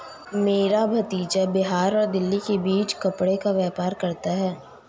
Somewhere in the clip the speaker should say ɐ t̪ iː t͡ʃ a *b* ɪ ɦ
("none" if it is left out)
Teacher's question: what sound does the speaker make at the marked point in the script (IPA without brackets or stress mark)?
b